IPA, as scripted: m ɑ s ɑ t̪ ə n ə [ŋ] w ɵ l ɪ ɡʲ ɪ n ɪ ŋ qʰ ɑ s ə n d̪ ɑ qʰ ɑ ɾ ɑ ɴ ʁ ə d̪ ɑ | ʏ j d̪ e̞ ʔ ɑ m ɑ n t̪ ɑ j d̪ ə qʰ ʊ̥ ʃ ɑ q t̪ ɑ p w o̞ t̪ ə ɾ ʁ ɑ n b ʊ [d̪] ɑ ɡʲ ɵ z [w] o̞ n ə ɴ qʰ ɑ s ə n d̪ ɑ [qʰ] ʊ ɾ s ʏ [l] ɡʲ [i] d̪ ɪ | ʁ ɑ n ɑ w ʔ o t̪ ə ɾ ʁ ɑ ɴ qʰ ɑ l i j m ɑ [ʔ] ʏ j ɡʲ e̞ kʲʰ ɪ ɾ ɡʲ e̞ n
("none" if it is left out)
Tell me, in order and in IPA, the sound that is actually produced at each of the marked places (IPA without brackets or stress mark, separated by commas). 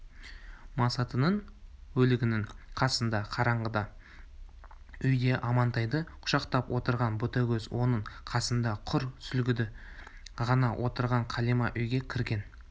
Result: ɴ, t̪, w, qʰ, l, ɪ, ʔ